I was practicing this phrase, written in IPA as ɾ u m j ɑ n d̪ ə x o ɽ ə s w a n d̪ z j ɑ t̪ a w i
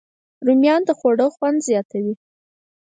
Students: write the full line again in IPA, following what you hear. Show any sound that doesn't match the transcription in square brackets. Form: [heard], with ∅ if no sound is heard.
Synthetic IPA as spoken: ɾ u m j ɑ n d̪ ə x o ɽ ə [x] w a n d̪ z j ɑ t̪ a w i